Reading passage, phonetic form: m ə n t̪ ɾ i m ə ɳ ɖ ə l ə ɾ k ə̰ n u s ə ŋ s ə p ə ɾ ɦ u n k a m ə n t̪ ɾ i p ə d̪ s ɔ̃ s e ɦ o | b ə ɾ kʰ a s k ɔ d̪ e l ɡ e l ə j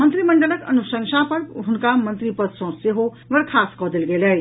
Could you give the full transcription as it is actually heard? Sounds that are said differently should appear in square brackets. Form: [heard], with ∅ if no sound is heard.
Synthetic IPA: m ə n t̪ ɾ i m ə ɳ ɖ ə l ə [∅] k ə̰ n u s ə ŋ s [a] p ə ɾ ɦ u n k a m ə n t̪ ɾ i p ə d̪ s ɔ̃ s e ɦ o | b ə ɾ kʰ a s k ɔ d̪ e l ɡ e l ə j